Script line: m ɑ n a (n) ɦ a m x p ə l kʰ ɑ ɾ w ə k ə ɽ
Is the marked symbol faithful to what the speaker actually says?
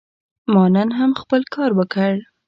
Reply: yes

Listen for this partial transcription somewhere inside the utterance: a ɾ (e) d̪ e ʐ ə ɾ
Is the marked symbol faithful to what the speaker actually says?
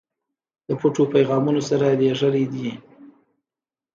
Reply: no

